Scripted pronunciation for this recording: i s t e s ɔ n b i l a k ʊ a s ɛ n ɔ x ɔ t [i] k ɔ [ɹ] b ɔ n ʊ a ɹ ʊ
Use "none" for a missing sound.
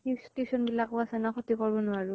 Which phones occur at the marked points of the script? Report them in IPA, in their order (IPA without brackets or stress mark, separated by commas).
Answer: i, ɹ